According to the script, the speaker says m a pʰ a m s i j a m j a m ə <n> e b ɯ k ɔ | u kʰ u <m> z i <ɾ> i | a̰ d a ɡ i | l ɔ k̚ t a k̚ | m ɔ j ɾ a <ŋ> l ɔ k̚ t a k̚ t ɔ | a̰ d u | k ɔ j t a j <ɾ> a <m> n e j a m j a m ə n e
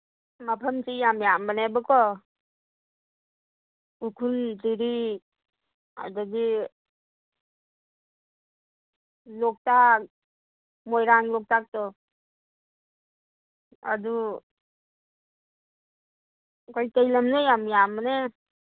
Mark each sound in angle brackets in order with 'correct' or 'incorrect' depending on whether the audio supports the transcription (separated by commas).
correct, incorrect, correct, correct, incorrect, correct